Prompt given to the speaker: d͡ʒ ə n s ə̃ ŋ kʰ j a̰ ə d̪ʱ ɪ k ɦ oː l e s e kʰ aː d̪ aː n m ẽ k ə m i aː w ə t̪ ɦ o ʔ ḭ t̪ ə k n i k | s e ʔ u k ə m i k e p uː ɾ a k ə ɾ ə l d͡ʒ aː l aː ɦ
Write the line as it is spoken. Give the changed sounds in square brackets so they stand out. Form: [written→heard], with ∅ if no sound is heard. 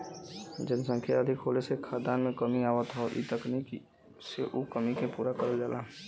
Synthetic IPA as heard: d͡ʒ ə n s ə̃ ŋ kʰ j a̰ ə d̪ʱ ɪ k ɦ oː l e s e kʰ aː d̪ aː n m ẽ k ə m i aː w ə t̪ ɦ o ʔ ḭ t̪ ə k n i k | s e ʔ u k ə m i k e p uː ɾ a k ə ɾ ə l d͡ʒ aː l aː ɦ